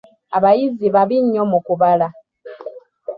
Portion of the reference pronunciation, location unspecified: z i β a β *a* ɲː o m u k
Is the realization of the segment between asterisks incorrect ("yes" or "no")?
yes